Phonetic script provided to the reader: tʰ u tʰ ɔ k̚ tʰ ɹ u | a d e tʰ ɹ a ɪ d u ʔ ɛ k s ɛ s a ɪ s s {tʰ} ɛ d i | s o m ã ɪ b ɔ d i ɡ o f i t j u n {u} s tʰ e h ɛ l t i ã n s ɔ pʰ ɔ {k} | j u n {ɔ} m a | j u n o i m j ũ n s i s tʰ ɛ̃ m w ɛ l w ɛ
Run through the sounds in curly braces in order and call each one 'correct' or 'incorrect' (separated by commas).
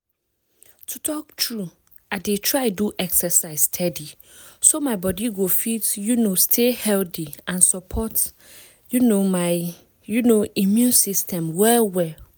correct, incorrect, incorrect, incorrect